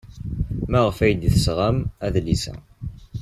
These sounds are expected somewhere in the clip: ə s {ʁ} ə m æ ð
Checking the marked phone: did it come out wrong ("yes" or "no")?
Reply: no